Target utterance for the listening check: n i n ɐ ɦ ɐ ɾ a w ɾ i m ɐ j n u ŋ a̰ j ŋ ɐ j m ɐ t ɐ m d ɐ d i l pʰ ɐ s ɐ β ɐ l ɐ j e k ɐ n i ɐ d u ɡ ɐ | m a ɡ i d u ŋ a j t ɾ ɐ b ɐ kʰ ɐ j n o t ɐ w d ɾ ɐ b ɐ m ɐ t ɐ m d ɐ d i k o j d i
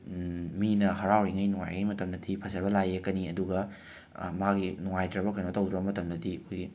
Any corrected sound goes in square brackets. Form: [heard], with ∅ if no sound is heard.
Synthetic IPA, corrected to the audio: [m] i n ɐ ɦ ɐ ɾ a w ɾ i [ŋ] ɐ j n u ŋ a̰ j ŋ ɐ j m ɐ t ɐ m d ɐ d i [∅] pʰ ɐ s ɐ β ɐ l [a] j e k ɐ n i ɐ d u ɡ ɐ | m a ɡ i [n] u ŋ a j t ɾ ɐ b ɐ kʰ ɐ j n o t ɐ w d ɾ ɐ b ɐ m ɐ t ɐ m d ɐ d i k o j [ɡ] i

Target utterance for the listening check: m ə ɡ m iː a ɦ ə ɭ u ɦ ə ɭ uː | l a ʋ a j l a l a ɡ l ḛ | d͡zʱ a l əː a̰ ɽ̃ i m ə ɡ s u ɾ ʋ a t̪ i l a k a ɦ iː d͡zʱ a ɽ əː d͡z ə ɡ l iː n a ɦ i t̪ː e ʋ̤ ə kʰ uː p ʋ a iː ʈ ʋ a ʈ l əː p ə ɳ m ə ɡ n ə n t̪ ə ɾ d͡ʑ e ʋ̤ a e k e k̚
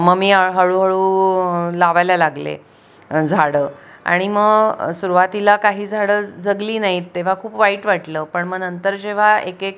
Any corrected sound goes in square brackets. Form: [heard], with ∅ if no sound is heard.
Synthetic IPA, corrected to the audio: m ə ɡ m iː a ɦ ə ɭ u ɦ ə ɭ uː | l a ʋ a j l a l a ɡ l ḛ | d͡zʱ a [ɽ] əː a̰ ɽ̃ i m ə ɡ s u ɾ ʋ a t̪ i l a k a ɦ iː d͡zʱ a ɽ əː d͡z ə ɡ l iː n a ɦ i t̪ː e ʋ̤ [a] kʰ uː p ʋ a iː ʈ ʋ a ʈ l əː p ə ɳ m ə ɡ n ə n t̪ ə ɾ d͡ʑ e ʋ̤ a e k e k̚

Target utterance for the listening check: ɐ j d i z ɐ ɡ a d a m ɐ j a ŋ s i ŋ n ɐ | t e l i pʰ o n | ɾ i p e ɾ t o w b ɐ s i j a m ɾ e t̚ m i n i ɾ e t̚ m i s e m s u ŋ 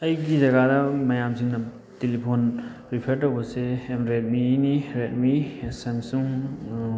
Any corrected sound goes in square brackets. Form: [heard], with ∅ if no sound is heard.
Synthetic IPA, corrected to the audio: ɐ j [ɡ] i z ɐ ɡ a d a m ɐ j a [m] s i ŋ n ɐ | t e l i pʰ o n | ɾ i [pʰ] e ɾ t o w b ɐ s [e] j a m ɾ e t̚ m i n i ɾ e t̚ m i s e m s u ŋ

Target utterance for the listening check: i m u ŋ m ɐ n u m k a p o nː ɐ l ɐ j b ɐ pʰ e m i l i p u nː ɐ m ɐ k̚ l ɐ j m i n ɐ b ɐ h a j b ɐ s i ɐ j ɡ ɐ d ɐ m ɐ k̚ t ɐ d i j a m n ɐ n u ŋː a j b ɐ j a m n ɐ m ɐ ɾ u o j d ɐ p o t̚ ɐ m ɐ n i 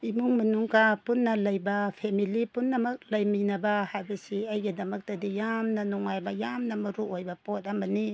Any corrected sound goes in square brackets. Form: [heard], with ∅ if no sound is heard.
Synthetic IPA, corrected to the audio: i m u ŋ m ɐ n u [ŋ] k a p [u] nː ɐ l ɐ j b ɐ pʰ e m i l i p u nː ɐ m ɐ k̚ l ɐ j m i n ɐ b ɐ h a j b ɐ s i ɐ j ɡ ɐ d ɐ m ɐ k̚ t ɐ d i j a m n ɐ n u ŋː a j b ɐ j a m n ɐ m ɐ ɾ u o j [b] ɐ p o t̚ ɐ m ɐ n i

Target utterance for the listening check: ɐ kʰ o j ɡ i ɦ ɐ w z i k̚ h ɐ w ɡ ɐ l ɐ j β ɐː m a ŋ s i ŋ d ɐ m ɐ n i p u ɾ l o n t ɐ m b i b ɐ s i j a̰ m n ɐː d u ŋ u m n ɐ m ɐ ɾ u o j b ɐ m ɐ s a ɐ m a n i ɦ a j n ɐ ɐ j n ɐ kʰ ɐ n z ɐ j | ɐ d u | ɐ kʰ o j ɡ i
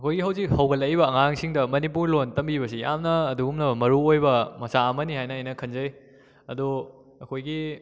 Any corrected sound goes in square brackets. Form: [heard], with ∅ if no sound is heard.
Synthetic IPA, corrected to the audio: ɐ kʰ o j ɡ i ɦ ɐ w z i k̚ h ɐ w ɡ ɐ l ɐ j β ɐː [ŋ] a ŋ s i ŋ d ɐ m ɐ n i p u ɾ l o n t ɐ m b i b ɐ s i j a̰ m n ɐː d u [ɡ] u m n ɐ m ɐ ɾ u o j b ɐ m ɐ s a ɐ m [ɐ] n i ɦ a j n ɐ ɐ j n ɐ kʰ ɐ n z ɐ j | ɐ d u | ɐ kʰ o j ɡ i

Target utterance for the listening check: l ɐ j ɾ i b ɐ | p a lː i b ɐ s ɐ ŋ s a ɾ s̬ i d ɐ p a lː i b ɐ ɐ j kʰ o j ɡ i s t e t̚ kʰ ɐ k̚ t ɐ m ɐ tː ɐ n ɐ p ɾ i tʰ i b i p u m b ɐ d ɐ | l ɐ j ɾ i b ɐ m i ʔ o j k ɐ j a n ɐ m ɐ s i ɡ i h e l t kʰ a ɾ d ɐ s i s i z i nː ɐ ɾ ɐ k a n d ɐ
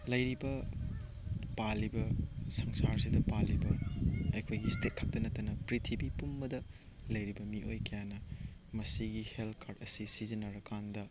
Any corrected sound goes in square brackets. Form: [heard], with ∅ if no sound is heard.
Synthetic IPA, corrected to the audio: l ɐ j ɾ i b ɐ | p a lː i b ɐ s ɐ ŋ s a ɾ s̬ i d ɐ p a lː i b ɐ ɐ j kʰ o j ɡ i s t e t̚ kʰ ɐ k̚ t ɐ [n] ɐ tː ɐ n ɐ p ɾ i tʰ i b i p u m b ɐ d ɐ | l ɐ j ɾ i b ɐ m i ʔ o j k ɐ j a n ɐ m ɐ s i ɡ i h e l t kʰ a ɾ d ɐ s i s i z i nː ɐ ɾ ɐ k a n d ɐ

